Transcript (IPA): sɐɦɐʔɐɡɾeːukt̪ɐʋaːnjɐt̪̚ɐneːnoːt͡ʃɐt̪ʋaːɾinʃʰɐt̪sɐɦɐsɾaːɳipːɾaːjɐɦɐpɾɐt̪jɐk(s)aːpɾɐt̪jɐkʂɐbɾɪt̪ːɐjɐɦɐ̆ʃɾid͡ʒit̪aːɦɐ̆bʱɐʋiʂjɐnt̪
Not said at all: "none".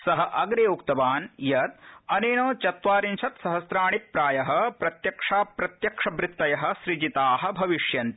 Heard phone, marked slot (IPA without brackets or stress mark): ʂ